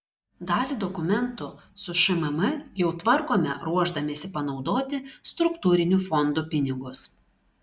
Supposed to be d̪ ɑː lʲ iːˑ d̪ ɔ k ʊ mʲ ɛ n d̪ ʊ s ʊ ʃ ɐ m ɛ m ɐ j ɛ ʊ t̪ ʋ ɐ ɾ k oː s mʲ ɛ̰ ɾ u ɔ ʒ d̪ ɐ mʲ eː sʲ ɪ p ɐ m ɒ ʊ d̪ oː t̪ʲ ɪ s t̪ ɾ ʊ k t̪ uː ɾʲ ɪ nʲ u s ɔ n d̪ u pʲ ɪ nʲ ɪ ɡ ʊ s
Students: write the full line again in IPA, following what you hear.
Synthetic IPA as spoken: d̪ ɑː lʲ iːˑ d̪ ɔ k ʊ mʲ ɛ n t̪ ʊ s ʊ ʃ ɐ m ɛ m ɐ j ɛ ʊ t̪ ʋ ɐ ɾ k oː mʲ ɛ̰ ɾ u ɔ ʒ d̪ ɐ mʲ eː sʲ ɪ p ɐ n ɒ ʊ d̪ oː t̪ʲ ɪ s t̪ ɾ ʊ k t̪ uː ɾʲ ɪ nʲ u f ɔ n d̪ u pʲ ɪ nʲ ɪ ɡ ʊ s